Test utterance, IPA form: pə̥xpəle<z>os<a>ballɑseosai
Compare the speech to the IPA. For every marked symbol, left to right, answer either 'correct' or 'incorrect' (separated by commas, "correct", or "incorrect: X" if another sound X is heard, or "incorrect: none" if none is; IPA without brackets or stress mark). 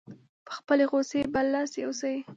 incorrect: ɣ, incorrect: e